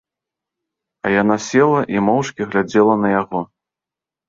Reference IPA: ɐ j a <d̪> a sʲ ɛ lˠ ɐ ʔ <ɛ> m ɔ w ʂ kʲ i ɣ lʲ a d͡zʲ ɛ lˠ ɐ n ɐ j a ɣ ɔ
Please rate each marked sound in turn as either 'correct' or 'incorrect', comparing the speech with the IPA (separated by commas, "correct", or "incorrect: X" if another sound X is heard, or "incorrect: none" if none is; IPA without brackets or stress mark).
incorrect: n̪, incorrect: i